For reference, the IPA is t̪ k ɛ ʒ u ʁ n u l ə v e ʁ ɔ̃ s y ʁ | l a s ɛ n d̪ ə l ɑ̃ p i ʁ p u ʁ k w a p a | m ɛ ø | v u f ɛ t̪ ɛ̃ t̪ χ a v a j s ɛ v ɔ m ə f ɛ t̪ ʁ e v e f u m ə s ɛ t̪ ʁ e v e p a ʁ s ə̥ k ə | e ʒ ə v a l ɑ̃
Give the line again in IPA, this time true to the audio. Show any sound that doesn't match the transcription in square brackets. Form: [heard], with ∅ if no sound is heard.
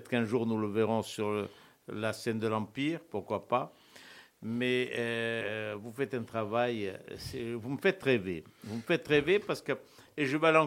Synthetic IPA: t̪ k [ɛ̃] ʒ u ʁ n u l ə v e ʁ ɔ̃ s y ʁ | l a s ɛ n d̪ ə l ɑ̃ p i ʁ p u ʁ k w a p a | m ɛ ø | v u f ɛ t̪ ɛ̃ t̪ χ a v a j s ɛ v [u] m ə f ɛ t̪ ʁ e v e [v] u m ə [f] ɛ t̪ ʁ e v e p a ʁ s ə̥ k ə | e ʒ ə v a l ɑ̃